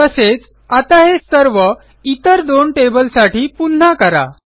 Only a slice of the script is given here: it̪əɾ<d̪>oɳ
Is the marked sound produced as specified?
yes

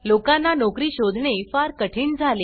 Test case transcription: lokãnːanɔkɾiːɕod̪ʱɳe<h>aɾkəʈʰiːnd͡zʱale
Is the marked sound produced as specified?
no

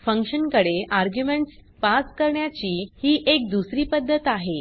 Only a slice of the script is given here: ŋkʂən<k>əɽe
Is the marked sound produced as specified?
yes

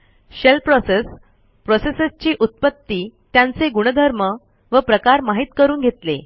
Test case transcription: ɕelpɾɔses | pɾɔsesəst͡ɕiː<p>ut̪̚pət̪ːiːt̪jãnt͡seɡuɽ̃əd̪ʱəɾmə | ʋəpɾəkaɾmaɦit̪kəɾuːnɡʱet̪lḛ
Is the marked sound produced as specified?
no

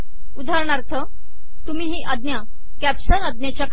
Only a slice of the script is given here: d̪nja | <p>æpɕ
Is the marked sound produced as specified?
no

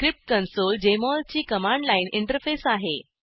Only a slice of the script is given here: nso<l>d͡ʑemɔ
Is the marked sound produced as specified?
yes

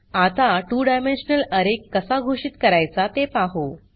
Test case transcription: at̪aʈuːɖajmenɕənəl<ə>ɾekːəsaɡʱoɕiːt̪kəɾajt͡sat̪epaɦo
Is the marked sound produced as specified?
yes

